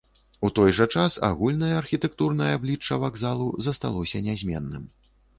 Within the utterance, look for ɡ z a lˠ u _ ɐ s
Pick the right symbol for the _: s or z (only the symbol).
z